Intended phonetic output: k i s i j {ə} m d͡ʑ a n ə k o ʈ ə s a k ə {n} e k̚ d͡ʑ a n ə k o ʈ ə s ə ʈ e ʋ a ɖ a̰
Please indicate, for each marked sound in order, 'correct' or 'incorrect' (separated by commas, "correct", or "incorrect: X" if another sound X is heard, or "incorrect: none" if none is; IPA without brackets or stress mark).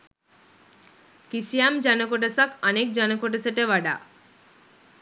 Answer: incorrect: a, correct